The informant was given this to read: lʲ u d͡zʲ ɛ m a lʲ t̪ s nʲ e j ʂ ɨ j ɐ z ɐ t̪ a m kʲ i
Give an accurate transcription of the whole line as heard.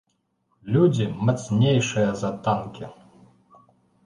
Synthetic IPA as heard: lʲ u d͡zʲ i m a t̪ s nʲ e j ʂ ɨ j ɐ z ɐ t̪ a n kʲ i

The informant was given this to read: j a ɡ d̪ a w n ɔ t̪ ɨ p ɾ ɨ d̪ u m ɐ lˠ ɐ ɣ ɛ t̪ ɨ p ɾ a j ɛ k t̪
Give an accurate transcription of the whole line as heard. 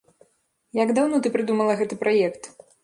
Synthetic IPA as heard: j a ɡ d̪ a w n ɔ t̪ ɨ p ɾ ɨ d̪ u m ɐ lˠ ɐ ɣ ɛ t̪ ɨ p ɾ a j ɛ k t̪

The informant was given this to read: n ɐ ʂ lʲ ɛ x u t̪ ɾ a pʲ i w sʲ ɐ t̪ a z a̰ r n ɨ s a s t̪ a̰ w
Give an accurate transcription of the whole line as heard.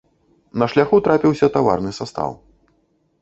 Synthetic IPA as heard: n ɐ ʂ lʲ a x u t̪ ɾ a pʲ i w sʲ ɐ t̪ a v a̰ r n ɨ s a s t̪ a̰ w

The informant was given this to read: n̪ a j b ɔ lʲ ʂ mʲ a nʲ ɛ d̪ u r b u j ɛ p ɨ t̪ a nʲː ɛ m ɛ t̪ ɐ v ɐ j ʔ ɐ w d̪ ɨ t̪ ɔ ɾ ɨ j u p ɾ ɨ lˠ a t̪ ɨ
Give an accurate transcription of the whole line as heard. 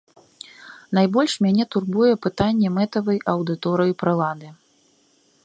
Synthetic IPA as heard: n̪ a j b ɔ lʲ ʂ mʲ a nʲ ɛ t̪ u r b u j ɛ p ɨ t̪ a nʲː ɛ m ɛ t̪ ɐ v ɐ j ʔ ɐ w d̪ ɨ t̪ ɔ ɾ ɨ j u p ɾ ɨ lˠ a d̪ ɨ

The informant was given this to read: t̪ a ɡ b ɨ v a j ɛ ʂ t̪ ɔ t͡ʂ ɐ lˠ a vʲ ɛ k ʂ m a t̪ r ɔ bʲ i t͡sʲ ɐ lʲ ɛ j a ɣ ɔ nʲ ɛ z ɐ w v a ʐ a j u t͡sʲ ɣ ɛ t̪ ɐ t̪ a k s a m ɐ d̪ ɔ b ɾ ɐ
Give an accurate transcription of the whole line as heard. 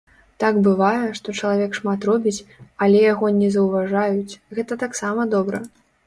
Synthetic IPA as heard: t̪ a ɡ b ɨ v a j ɛ ʂ t̪ ɔ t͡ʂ ɐ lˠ a vʲ ɛ k ʂ m a t̪ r ɔ bʲ i t͡sʲ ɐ lʲ ɛ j a ɣ ɔ nʲ ɛ z ɐ w v a ʐ a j u t͡sʲ ɣ ɛ t̪ ɐ t̪ a k s a m ɐ d̪ ɔ b ɾ ɐ

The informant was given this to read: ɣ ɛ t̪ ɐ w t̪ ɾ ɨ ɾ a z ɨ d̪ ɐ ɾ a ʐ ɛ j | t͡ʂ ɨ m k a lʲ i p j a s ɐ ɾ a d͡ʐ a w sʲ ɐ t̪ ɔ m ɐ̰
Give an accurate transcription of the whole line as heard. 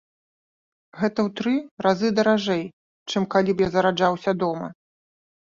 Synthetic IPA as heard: ɣ ɛ t̪ ɐ w t̪ ɾ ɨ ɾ a z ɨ d̪ ɐ ɾ a ʐ ɛ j | t͡ʂ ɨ m k a lʲ i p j a z ɐ ɾ a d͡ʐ a w sʲ ɐ d̪ ɔ m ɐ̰

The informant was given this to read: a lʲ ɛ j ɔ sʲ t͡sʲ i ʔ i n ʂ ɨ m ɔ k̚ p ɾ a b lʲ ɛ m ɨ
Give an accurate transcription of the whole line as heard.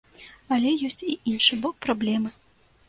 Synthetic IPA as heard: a lʲ ɛ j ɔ sʲ t͡sʲ i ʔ i n ʂ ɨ b ɔ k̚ p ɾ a b lʲ ɛ m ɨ

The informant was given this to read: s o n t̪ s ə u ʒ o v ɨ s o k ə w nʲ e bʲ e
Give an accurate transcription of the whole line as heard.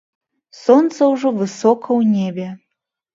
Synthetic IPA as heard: s o n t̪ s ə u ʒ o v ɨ s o k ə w nʲ e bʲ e

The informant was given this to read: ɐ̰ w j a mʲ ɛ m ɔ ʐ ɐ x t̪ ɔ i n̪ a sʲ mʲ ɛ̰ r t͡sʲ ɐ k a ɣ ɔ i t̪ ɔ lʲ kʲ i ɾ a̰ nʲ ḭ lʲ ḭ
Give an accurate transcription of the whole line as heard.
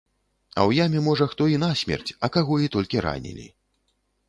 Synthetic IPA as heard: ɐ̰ w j a mʲ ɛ m ɔ ʐ ɐ x t̪ ɔ i n̪ a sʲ mʲ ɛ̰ r t͡sʲ ɐ k a ɣ ɔ i t̪ ɔ lʲ kʲ i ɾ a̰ nʲ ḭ lʲ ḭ

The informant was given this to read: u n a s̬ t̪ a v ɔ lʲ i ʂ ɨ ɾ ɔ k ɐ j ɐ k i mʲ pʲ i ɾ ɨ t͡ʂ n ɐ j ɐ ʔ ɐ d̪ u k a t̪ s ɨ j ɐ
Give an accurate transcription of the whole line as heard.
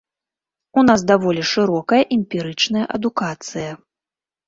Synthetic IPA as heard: u n a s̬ d̪ a v ɔ lʲ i ʂ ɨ ɾ ɔ k ɐ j ɐ ʔ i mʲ pʲ i ɾ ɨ t͡ʂ n ɐ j ɐ ʔ ɐ d̪ u k a t̪ s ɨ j ɐ

